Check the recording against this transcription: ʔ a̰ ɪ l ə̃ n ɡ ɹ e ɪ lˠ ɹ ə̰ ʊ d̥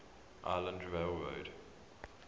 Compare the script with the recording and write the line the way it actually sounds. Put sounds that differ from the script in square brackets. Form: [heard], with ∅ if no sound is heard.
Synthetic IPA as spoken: ʔ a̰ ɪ l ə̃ n [d] ɹ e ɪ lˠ ɹ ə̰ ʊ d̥